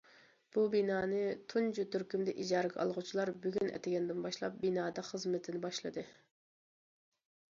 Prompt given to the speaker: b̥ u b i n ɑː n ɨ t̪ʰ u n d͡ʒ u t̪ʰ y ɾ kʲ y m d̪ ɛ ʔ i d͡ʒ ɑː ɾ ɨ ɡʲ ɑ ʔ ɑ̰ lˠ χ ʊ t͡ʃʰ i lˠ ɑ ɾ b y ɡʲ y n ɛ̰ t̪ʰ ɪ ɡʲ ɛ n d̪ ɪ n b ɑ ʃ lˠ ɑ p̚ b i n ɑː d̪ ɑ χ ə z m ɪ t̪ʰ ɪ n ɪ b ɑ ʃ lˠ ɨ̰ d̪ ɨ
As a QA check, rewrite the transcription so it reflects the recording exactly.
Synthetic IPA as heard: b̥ u b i n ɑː n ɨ t̪ʰ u n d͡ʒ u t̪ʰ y ɾ kʲ y m d̪ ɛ ʔ i d͡ʒ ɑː ɾ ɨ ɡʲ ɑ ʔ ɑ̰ lˠ ʁ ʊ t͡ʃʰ i lˠ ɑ ɾ b y ɡʲ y n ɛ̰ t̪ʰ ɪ ɡʲ ɛ n d̪ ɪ n b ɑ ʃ lˠ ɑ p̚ b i n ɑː d̪ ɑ χ ə z m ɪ t̪ʰ ɪ n ɪ b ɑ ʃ lˠ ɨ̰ d̪ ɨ

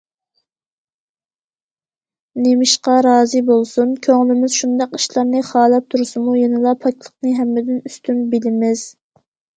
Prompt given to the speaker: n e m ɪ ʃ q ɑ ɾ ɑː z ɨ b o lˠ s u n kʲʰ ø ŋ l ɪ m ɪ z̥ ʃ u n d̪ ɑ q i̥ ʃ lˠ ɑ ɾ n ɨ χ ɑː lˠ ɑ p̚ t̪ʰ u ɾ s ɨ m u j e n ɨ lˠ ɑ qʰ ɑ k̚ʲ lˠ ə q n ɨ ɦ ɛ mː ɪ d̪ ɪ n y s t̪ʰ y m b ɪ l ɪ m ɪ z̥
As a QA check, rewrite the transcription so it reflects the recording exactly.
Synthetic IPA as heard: n e m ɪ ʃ q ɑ ɾ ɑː z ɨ b o lˠ s u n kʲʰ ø ŋ l ɪ m ɪ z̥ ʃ u n d̪ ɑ q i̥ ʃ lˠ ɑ ɾ n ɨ χ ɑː lˠ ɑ p̚ t̪ʰ u ɾ s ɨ m u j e n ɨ lˠ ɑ pʰ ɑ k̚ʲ lˠ ə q n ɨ ɦ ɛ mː ɪ d̪ ɪ n y s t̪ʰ y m b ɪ l ɪ m ɪ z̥

